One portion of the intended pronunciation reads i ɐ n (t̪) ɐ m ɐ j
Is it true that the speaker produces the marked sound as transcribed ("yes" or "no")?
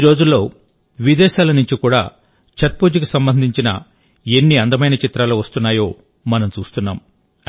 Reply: no